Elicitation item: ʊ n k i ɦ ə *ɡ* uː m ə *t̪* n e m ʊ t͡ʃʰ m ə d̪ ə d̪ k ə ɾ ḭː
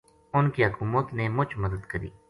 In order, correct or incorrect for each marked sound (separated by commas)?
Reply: incorrect, correct